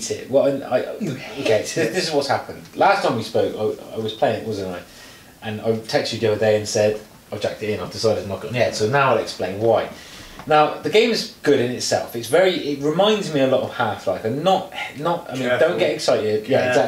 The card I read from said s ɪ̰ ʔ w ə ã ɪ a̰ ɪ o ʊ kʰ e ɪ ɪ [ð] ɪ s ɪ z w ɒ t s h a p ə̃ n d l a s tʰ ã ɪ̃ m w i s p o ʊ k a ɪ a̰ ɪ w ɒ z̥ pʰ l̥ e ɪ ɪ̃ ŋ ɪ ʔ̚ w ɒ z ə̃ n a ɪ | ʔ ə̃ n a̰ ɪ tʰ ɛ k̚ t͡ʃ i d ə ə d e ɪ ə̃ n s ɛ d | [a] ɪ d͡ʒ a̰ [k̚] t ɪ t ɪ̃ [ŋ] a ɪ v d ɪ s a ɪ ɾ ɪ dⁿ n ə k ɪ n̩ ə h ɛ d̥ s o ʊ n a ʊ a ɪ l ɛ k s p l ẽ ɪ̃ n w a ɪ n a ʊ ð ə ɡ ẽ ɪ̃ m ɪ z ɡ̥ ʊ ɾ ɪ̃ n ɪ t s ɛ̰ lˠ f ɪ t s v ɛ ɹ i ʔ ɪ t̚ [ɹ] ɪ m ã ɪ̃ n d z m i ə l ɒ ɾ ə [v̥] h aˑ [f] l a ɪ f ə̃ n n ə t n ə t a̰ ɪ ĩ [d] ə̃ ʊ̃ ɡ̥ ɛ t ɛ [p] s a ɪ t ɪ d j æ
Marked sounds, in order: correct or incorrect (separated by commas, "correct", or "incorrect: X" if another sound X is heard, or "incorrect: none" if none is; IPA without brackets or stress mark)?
correct, correct, correct, incorrect: n, correct, correct, correct, correct, incorrect: k